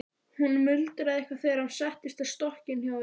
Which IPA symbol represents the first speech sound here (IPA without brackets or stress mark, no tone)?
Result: h